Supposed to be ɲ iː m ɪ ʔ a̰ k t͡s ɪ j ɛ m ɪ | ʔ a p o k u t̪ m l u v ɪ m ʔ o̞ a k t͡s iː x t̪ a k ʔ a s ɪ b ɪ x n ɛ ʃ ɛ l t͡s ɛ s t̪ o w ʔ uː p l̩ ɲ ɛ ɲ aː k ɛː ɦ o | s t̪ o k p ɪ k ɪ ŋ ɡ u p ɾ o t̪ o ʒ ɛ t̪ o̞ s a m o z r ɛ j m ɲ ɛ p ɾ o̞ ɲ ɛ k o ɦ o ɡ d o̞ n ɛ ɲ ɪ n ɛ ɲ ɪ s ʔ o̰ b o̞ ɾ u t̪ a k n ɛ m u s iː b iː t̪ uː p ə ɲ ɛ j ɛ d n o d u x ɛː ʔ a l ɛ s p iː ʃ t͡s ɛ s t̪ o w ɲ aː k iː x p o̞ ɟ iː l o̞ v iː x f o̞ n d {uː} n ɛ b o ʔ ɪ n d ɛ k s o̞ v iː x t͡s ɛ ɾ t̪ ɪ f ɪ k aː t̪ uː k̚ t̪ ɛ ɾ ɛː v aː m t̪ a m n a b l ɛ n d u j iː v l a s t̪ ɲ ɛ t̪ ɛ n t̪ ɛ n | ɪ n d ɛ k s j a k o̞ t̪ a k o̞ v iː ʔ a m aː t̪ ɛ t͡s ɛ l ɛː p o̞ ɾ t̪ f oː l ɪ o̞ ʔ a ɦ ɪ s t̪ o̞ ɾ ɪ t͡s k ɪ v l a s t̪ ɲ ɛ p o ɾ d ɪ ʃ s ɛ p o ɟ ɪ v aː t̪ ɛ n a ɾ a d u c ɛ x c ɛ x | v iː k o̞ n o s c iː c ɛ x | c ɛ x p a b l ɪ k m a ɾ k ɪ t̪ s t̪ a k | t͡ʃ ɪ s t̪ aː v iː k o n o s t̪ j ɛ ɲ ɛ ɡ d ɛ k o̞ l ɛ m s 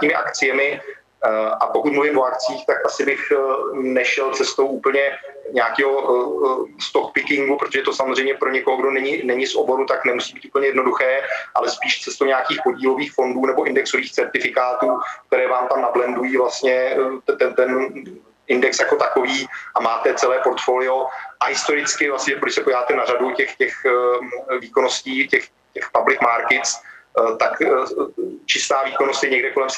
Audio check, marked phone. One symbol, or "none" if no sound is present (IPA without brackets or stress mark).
uː